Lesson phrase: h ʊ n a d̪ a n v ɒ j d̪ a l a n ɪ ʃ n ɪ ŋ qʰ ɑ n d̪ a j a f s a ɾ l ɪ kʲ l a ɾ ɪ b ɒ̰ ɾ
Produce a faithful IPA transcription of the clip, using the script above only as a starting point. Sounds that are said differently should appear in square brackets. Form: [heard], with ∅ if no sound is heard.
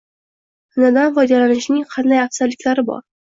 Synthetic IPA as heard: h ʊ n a d̪ a n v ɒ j d̪ a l a n ɪ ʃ n ɪ ŋ qʰ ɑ n d̪ a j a f s a ɾ l ɪ kʲ l a ɾ ɪ b ɒ̰ ɾ